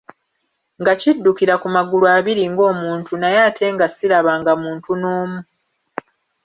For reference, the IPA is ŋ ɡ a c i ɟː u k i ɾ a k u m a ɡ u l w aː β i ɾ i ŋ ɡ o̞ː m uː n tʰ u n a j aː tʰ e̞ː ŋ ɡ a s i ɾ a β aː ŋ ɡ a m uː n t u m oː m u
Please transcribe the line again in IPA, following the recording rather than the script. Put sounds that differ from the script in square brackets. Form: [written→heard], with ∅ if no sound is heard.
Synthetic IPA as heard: ŋ ɡ a c i [ɟː→dː] u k i ɾ a k u m a ɡ u l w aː β i ɾ i ŋ ɡ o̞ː m uː n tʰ u n a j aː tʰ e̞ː ŋ ɡ a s i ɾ a β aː ŋ ɡ a m uː n t u [m→n] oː m u